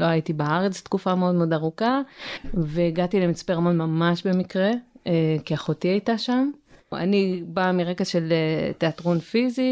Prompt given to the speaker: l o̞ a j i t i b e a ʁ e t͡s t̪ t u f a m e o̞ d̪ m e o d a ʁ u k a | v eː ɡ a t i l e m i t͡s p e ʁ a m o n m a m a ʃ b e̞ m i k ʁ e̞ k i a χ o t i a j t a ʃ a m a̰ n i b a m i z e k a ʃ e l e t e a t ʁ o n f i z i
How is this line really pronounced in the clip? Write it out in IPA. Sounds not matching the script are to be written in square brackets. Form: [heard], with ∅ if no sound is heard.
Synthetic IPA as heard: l o̞ a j i t i b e a ʁ e t͡s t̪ [k] u f a m e o̞ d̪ m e o d a ʁ u k a | v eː ɡ a t i l e m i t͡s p e ʁ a m o n m a m a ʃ b e̞ m i k ʁ e̞ k i a χ o t i a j t a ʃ a m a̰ n i b a m i [ʁ] e k a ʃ e l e t e a t ʁ o n f i z i